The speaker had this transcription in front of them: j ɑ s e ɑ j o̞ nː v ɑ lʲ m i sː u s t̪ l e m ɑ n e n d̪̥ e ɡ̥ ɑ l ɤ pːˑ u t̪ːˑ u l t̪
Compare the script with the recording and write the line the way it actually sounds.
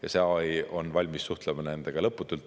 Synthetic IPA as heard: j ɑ s e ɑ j o̞ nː v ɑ lʲ m i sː u h t̪ l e m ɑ n e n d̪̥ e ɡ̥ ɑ l ɤ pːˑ u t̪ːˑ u l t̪